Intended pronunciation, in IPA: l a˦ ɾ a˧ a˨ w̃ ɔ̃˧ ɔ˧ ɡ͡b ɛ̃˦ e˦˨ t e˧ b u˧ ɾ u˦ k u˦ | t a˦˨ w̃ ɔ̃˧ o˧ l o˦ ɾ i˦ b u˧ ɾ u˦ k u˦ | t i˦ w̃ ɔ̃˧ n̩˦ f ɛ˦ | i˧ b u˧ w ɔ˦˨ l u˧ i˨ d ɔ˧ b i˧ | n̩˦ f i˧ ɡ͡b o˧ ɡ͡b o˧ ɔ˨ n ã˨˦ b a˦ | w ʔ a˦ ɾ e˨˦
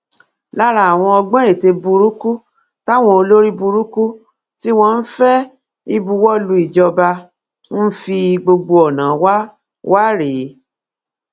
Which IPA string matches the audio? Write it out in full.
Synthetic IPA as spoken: l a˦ ɾ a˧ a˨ w̃ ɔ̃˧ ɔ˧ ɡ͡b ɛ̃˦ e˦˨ t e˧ b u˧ ɾ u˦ k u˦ | t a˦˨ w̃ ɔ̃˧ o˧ l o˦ ɾ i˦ b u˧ ɾ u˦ k u˦ | t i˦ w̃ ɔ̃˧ n̩˦ f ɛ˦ | i˧ b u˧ w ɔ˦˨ l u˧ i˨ d͡ʒ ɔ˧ b a˧ | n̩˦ f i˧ ɡ͡b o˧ ɡ͡b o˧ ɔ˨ n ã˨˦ w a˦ | w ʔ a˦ ɾ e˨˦